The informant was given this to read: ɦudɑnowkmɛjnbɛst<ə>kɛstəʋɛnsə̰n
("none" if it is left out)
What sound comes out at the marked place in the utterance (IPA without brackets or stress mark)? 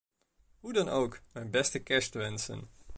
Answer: ə